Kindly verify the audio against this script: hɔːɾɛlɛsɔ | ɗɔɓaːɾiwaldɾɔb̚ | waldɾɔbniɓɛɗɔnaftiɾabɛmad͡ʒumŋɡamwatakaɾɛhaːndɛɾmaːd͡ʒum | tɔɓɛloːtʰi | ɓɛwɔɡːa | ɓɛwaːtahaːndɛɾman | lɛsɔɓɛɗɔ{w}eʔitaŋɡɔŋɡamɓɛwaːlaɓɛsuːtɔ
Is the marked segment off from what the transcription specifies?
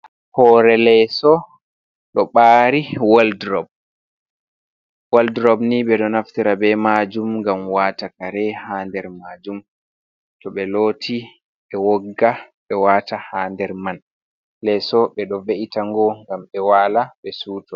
yes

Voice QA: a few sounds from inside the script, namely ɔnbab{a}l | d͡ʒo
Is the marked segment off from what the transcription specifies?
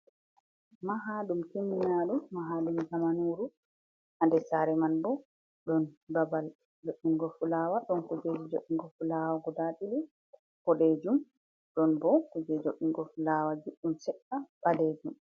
no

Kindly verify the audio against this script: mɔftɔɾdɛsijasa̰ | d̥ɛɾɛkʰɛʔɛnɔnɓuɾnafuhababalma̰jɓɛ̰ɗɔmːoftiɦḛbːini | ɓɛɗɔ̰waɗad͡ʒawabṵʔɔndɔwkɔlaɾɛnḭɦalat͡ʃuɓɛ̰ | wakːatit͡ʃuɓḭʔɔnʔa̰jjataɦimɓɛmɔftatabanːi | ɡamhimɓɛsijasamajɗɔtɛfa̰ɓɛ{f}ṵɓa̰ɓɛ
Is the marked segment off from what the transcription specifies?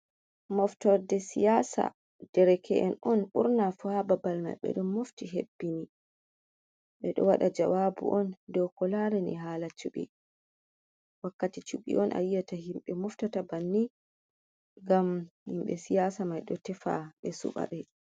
yes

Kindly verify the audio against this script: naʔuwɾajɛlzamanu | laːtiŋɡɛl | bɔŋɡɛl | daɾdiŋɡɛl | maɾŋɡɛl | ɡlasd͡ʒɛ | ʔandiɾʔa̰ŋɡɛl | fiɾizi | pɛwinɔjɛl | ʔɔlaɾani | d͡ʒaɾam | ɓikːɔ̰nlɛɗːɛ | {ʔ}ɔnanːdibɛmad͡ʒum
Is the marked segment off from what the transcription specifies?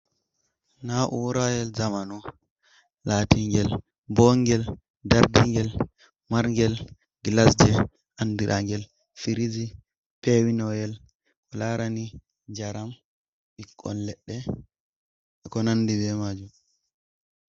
yes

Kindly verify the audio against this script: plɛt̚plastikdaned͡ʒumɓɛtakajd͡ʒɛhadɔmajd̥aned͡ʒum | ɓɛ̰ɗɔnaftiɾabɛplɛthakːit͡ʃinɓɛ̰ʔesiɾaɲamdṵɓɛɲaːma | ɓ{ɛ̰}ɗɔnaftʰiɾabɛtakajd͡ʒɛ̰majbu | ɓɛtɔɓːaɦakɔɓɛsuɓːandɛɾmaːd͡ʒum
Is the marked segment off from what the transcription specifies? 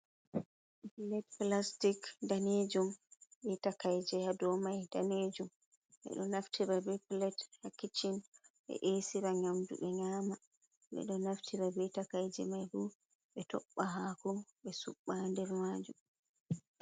no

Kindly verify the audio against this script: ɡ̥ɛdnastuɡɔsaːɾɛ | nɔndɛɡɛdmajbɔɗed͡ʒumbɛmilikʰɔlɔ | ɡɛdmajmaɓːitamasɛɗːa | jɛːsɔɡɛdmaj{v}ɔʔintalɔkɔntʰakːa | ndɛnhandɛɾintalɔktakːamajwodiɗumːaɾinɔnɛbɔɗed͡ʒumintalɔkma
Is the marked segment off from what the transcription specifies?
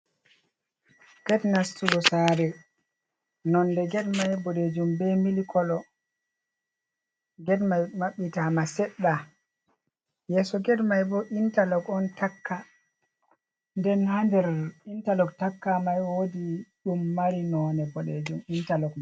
yes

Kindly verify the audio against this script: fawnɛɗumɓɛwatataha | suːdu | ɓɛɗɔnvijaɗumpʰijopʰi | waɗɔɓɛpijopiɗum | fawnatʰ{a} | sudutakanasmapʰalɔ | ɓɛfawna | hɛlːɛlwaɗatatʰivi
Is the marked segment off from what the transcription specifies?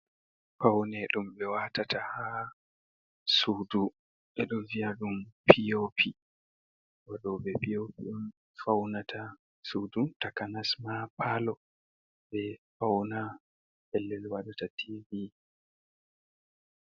no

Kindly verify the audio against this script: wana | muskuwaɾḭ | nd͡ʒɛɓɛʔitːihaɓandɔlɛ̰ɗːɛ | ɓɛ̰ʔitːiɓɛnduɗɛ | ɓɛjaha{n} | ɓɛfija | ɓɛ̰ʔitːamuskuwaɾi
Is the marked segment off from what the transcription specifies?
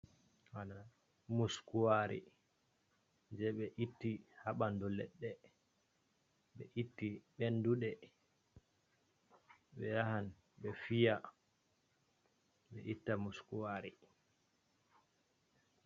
no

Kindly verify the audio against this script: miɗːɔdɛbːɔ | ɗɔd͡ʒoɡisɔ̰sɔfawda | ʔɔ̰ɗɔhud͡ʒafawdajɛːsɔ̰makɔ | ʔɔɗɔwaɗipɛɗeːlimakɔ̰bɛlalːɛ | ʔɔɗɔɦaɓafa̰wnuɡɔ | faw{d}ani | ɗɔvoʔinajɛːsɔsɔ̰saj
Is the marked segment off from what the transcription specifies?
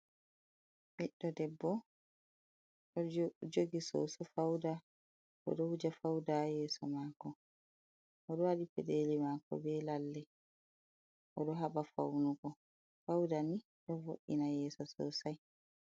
no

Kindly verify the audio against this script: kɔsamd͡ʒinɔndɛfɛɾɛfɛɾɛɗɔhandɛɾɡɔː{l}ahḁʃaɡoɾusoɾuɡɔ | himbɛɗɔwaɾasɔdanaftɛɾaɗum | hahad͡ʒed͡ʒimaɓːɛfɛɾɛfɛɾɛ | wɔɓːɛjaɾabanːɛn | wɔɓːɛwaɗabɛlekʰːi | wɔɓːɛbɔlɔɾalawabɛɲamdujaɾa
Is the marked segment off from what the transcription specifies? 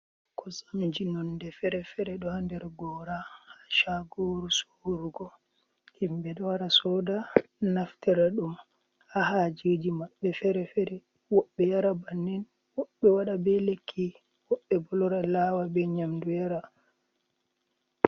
yes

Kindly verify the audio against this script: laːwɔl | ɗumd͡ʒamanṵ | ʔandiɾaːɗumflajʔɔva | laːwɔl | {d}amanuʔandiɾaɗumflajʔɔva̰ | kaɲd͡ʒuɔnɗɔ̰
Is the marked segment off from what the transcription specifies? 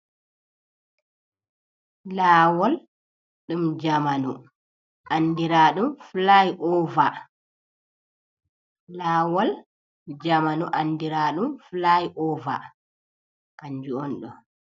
yes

